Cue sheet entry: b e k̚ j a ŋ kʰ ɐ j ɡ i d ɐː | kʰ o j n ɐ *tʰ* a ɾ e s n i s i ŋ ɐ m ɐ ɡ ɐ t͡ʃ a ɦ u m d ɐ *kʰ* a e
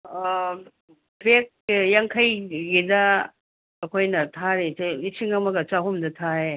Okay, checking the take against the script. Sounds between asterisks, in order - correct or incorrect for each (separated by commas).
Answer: correct, incorrect